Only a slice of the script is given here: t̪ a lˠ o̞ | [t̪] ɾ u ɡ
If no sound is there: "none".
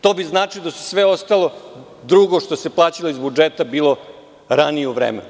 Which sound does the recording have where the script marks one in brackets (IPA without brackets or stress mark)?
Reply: d̪